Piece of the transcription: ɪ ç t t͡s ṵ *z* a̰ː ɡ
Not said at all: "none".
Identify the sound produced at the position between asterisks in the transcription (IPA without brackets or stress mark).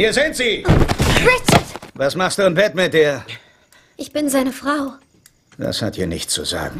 z